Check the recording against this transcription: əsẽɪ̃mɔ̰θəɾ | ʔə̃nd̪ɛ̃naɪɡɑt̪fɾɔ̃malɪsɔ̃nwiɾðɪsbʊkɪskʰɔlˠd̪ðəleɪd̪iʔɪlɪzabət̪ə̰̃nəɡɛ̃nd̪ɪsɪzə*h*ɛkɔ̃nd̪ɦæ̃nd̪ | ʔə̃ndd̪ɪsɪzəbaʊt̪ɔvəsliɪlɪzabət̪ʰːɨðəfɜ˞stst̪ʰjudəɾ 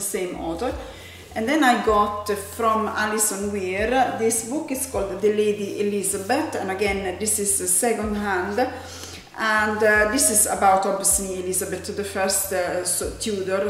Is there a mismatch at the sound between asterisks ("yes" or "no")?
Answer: yes